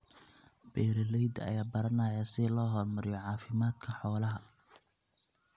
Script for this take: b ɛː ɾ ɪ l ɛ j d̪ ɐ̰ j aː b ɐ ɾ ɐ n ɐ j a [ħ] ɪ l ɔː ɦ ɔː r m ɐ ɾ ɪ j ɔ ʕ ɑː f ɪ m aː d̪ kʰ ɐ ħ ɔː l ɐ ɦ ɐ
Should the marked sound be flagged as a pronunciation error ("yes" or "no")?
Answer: yes